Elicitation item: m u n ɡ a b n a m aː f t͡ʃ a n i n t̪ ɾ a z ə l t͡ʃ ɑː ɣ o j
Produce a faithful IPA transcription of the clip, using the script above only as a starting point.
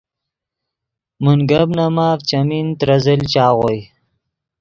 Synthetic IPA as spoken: m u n ɡ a b n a m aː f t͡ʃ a m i n t̪ ɾ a z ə l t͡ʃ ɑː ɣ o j